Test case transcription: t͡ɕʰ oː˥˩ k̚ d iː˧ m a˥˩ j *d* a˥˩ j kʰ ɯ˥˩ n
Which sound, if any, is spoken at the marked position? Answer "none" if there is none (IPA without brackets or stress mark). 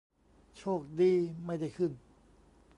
d